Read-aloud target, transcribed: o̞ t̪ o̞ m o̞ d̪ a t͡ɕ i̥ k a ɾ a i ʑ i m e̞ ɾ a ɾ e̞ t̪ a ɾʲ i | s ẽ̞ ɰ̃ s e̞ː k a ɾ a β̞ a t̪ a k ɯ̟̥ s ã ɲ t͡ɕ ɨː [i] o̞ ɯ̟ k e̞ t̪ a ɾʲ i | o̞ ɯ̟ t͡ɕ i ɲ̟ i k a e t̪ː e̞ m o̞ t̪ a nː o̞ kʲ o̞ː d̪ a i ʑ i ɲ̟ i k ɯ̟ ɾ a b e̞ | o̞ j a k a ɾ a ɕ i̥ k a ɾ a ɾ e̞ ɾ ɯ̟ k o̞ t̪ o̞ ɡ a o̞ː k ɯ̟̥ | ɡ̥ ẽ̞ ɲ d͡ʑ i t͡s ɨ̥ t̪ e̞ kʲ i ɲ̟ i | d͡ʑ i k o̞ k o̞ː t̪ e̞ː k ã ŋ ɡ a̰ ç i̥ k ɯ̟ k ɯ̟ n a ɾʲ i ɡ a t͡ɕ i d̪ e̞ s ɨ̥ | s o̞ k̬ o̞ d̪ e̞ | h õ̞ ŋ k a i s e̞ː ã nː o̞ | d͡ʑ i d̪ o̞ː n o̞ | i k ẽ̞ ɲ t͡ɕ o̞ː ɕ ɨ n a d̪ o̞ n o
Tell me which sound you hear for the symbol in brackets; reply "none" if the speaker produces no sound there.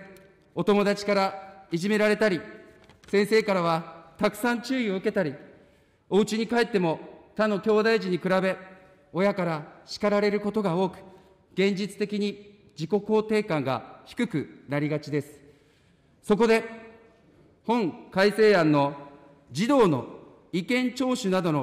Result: i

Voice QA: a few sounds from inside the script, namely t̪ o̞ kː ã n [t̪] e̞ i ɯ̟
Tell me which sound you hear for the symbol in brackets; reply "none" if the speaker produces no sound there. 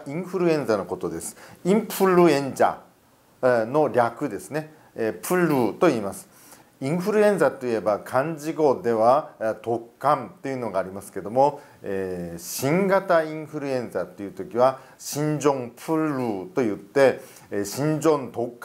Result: t̪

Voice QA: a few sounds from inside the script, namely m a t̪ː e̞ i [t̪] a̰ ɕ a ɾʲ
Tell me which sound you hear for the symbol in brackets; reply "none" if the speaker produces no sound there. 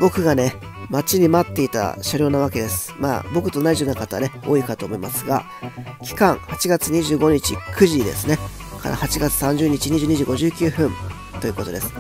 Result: t̪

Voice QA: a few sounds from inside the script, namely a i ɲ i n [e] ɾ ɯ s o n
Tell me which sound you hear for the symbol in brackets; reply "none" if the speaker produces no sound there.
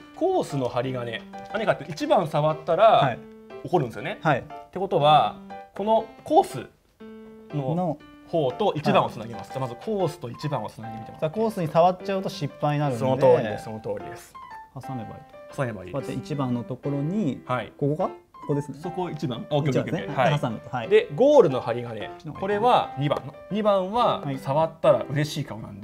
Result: a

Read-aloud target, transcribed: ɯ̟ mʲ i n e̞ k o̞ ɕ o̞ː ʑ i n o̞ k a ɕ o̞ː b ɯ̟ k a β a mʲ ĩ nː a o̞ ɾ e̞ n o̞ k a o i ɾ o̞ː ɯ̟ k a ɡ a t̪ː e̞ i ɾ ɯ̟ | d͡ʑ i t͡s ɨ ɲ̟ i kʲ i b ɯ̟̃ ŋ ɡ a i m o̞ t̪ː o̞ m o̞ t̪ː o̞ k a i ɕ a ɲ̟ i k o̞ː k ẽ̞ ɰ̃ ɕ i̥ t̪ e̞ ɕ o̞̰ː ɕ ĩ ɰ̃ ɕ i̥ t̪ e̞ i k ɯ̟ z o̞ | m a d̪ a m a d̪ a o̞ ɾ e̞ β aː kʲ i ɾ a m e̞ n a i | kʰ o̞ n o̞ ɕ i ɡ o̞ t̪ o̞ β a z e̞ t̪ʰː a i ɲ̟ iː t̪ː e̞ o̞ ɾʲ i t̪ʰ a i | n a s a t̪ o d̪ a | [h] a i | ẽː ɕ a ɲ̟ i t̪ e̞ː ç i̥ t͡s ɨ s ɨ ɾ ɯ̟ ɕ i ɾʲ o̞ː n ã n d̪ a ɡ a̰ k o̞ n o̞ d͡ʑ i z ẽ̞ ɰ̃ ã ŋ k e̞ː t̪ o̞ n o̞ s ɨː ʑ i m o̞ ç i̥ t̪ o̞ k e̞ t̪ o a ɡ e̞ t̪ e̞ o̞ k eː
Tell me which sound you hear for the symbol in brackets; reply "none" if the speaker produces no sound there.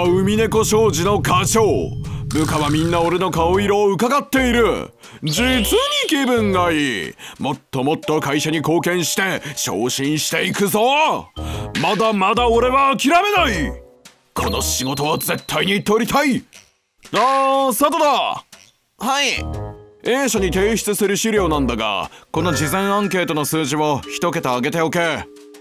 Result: h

